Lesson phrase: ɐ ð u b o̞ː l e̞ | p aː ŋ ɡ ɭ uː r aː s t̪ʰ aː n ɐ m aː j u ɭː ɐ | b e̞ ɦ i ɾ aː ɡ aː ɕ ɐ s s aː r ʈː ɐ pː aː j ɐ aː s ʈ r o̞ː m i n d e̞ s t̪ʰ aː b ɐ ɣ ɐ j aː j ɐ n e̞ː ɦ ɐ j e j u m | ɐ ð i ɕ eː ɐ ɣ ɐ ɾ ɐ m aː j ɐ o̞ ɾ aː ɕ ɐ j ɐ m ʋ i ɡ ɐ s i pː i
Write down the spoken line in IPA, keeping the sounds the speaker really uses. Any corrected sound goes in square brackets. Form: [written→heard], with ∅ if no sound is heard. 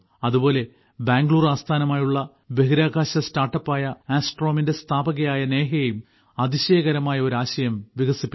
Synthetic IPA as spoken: ɐ ð u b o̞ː l e̞ | [p→b] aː ŋ ɡ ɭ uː r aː s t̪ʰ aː n ɐ m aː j u ɭː ɐ | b e̞ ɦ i ɾ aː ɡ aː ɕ ɐ s [s→t] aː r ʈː ɐ pː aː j ɐ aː s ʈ r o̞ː m i n d e̞ s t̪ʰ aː b ɐ ɣ ɐ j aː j ɐ n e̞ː ɦ ɐ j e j u m | ɐ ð i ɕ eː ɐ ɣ ɐ ɾ ɐ m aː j ɐ o̞ ɾ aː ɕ ɐ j ɐ m ʋ i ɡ ɐ s i pː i